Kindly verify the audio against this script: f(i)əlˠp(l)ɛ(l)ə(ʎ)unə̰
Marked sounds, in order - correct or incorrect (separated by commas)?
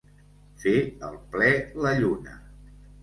incorrect, correct, correct, correct